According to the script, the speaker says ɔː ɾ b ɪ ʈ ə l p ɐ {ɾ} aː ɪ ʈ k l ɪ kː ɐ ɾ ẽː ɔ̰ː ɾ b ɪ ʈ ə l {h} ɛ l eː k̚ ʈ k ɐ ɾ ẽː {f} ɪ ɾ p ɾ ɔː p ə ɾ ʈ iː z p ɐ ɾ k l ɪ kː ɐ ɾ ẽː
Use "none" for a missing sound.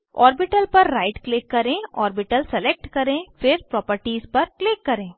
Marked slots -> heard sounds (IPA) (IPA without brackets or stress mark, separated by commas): ɾː, s, f